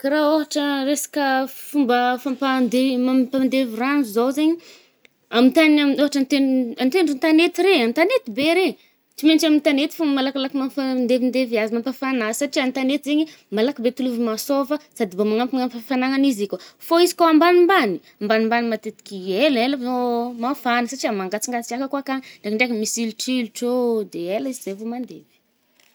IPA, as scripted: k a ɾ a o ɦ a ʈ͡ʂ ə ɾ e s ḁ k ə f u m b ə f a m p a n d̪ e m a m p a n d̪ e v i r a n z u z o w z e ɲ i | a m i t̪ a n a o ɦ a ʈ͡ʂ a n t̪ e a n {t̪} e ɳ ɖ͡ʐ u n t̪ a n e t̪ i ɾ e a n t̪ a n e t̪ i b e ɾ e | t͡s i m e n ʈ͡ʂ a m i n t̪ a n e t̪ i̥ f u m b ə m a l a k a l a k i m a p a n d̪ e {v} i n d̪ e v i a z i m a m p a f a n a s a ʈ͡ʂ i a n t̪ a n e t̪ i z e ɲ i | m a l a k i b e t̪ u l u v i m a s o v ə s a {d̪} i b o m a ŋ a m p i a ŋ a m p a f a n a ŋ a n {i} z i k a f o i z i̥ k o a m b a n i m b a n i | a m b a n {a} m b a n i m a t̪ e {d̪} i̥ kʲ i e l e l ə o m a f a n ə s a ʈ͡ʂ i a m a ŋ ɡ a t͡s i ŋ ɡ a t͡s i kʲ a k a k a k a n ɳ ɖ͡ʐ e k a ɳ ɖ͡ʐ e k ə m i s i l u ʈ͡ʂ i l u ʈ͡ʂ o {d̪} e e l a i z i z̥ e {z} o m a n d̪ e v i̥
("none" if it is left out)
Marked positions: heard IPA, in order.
t̪, v, d̪, i, i, t̪, d̪, v

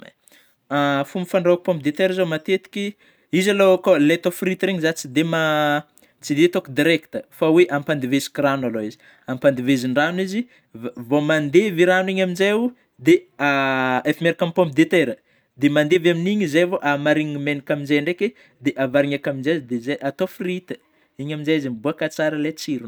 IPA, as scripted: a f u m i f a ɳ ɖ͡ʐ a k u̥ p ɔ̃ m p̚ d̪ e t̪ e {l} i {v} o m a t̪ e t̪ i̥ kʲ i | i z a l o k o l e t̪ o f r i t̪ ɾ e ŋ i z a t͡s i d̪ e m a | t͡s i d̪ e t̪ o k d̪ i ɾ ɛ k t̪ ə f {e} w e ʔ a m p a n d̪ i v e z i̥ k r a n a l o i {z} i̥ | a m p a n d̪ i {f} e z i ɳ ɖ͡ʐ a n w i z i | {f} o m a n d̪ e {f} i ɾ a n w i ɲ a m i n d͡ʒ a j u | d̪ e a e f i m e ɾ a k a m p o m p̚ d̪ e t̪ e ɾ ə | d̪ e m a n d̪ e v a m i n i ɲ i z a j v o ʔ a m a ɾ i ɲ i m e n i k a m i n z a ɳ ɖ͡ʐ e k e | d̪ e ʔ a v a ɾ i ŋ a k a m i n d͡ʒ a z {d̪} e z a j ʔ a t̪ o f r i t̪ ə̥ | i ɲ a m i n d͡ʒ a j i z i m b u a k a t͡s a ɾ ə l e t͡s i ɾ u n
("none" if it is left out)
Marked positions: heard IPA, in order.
ɾ, z, a, z, v, v, v, d̪

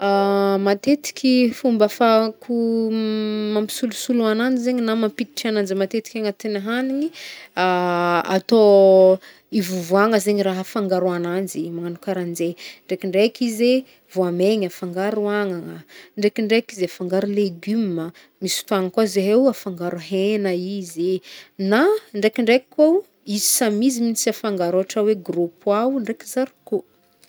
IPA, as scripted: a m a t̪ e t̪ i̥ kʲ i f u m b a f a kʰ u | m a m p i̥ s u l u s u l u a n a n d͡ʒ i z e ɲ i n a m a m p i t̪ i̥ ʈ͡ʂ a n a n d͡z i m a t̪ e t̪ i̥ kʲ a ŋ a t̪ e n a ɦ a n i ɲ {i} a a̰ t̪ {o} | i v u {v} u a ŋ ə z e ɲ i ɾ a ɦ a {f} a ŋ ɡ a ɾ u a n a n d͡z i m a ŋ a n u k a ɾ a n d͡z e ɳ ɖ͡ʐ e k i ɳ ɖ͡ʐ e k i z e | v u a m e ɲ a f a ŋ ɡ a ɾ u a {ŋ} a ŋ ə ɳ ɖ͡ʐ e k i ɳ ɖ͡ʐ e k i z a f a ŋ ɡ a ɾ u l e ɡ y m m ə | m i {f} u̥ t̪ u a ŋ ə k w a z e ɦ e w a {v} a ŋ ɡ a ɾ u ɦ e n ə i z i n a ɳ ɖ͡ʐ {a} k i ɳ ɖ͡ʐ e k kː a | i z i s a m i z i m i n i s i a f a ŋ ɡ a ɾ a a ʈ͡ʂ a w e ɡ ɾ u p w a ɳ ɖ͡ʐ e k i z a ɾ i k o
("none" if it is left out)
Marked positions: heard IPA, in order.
i, o, v, f, ŋ, s, f, e

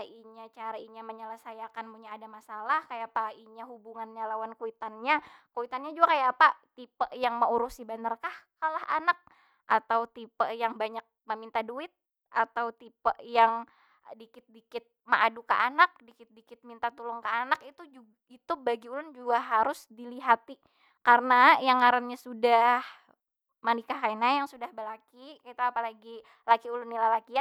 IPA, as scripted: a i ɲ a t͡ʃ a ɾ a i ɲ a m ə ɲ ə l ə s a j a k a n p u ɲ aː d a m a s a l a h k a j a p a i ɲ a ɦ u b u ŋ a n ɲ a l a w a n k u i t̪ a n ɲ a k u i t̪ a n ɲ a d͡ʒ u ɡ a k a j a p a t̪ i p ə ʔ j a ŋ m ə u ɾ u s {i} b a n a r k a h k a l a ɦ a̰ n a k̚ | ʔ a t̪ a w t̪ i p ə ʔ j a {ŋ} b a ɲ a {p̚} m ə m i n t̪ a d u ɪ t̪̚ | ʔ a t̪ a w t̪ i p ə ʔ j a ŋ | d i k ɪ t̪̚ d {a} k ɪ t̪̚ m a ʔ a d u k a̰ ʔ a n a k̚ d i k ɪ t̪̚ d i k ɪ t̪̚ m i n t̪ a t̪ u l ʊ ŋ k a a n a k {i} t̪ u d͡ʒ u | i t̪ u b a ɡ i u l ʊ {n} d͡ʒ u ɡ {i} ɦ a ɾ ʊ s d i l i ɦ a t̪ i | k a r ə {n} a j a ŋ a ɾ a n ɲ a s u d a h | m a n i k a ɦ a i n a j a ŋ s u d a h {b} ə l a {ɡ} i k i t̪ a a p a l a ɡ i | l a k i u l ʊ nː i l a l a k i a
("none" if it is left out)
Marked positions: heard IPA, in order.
i, ŋ, k̚, i, i, n, a, n, b, k

